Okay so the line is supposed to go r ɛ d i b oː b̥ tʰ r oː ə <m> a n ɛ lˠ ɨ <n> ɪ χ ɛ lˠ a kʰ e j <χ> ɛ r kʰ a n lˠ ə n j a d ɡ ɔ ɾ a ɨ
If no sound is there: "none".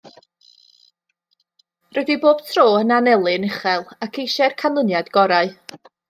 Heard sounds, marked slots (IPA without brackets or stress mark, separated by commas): n, n, ʃ